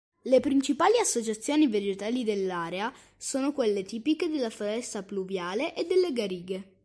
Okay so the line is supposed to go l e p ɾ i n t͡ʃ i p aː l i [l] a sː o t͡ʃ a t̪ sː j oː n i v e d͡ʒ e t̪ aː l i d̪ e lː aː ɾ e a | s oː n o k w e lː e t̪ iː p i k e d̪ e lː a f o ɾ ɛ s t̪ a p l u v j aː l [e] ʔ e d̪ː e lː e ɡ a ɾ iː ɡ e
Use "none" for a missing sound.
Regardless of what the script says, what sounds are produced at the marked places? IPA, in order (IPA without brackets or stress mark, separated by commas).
none, e